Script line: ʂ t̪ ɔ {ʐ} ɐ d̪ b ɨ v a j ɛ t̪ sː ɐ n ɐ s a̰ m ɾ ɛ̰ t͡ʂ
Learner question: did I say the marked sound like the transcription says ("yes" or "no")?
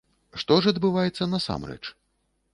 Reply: yes